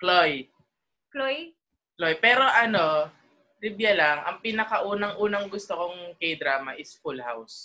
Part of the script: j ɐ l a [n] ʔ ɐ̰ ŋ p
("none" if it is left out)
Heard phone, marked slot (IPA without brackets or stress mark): ŋ